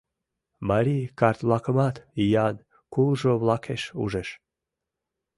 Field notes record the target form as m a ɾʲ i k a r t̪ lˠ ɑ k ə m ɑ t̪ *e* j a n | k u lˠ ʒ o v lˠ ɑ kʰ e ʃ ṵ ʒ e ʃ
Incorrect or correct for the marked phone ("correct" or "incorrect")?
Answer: incorrect